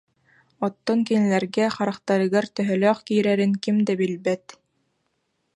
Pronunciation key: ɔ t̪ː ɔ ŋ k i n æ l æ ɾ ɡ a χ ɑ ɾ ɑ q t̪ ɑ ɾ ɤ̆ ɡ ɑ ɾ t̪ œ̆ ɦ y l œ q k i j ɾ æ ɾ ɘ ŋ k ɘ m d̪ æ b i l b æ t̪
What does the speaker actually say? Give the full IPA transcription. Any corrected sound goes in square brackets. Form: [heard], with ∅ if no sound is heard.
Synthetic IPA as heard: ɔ t̪ː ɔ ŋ k i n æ l æ ɾ ɡ [æ] χ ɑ ɾ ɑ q t̪ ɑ ɾ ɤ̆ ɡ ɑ ɾ t̪ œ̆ ɦ [œ] l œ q k i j ɾ æ ɾ ɘ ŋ k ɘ m d̪ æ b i l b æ t̪